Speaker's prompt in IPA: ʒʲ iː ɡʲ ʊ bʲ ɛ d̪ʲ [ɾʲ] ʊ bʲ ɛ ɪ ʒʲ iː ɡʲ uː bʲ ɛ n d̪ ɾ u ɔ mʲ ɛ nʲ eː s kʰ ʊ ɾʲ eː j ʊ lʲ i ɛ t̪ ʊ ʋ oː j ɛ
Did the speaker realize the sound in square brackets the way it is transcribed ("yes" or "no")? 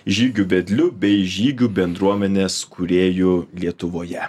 no